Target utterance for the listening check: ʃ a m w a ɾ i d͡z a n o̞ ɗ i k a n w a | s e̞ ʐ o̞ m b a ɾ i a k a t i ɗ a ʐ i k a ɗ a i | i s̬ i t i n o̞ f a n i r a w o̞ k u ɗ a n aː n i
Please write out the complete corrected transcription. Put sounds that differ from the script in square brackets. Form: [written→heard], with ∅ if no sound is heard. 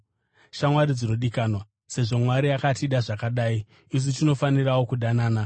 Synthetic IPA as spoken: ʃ a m w a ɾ i d͡z [a→i] n o̞ ɗ i k a n w a | s e̞ ʐ o̞ m [b→w] a ɾ i a k a t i ɗ a ʐ [i→a] k a ɗ a i | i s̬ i t i n o̞ f a n i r a w o̞ k u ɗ a n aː n [i→a]